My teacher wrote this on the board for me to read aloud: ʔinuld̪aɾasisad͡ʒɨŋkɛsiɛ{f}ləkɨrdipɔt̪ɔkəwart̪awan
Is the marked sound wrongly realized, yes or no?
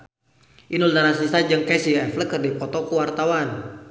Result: no